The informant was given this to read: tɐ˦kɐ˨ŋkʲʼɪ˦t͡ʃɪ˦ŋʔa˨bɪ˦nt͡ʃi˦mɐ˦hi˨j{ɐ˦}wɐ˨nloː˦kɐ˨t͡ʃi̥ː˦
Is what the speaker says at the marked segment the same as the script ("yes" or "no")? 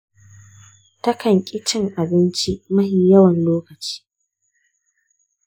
yes